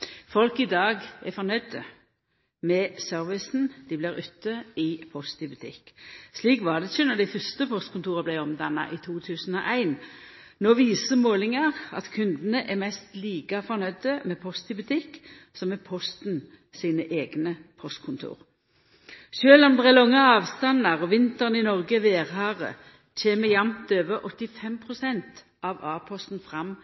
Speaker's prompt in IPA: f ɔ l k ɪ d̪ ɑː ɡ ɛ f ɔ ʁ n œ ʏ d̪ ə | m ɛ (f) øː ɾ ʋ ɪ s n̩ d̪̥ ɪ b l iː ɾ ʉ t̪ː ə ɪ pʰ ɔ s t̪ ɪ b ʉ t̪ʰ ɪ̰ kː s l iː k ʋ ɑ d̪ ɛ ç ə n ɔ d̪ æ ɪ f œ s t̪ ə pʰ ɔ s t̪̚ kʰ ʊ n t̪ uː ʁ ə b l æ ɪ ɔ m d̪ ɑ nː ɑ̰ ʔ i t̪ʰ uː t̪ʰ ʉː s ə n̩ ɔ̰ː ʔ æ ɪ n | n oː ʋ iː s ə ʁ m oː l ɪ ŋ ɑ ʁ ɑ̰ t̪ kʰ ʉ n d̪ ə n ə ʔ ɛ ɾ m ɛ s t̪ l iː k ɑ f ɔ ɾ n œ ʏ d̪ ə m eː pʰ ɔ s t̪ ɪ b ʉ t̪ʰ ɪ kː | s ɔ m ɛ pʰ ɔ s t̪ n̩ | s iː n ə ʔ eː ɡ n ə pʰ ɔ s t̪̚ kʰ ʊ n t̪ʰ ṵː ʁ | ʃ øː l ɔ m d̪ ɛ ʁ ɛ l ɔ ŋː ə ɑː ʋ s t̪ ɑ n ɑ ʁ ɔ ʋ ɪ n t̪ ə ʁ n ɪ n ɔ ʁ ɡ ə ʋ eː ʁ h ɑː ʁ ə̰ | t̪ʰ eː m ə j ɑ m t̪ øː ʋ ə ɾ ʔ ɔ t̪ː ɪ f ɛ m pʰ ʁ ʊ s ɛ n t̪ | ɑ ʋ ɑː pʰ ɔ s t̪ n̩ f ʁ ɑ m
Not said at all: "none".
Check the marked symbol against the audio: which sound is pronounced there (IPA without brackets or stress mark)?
s